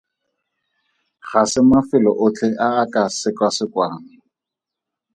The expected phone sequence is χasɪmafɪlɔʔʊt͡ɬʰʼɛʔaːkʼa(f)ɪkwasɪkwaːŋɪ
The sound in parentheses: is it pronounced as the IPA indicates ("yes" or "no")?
no